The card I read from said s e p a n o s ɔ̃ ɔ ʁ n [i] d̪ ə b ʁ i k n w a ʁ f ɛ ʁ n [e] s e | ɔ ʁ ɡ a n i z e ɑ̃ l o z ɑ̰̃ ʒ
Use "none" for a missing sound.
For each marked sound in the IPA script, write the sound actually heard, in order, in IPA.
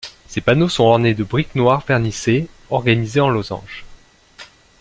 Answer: e, i

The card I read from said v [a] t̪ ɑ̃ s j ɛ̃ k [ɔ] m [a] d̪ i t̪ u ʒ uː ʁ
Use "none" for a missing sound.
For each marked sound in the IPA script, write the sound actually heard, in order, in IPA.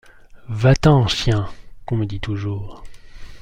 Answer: a, ɔ̃, ə

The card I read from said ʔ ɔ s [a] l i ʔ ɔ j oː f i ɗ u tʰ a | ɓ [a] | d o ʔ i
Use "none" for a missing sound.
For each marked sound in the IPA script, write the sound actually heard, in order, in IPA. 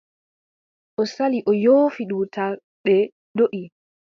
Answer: a, ɛ

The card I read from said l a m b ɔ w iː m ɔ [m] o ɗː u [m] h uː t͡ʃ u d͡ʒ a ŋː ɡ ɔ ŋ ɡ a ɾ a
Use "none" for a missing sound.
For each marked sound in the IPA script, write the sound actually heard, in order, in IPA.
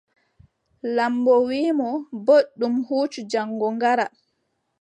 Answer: b, m

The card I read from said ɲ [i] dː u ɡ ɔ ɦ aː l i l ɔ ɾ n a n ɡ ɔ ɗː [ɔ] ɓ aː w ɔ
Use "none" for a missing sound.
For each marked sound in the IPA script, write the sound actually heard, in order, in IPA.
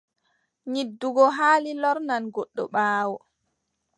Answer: i, ɔ

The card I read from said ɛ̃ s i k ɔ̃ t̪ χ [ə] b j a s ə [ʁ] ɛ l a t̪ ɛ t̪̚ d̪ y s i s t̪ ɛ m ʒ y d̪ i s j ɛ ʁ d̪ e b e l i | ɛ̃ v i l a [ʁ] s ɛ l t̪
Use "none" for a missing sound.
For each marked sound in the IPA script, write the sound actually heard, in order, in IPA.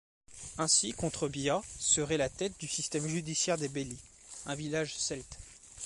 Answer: ə, ʁ, ʒ

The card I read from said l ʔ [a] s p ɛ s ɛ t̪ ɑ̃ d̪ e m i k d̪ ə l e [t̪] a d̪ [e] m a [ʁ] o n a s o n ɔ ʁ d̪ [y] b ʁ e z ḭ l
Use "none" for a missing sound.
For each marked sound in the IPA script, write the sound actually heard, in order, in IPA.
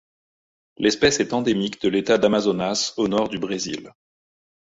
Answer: ɛ, t̪, a, z, y

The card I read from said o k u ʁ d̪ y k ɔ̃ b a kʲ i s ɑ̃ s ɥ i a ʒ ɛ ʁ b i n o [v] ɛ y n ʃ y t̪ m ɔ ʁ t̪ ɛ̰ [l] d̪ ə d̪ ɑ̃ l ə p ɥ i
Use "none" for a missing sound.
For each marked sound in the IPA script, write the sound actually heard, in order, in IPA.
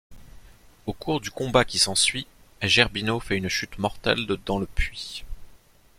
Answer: f, l

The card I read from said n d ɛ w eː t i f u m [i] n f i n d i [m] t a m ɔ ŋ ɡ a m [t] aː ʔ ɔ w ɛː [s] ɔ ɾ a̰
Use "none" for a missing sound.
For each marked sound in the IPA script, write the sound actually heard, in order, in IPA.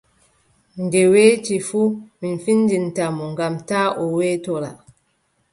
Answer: i, n, t, t

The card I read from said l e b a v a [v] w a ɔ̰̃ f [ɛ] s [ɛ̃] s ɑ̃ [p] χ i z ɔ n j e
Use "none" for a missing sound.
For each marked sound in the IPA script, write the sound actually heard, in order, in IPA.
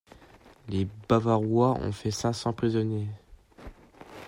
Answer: ʁ, ɛ, ɛ̃, p

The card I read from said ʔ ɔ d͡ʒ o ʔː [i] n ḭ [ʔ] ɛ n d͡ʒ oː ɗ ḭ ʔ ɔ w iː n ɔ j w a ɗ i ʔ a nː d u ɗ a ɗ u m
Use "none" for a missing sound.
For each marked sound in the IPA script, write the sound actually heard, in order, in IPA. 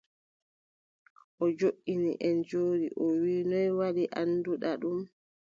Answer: i, ʔ

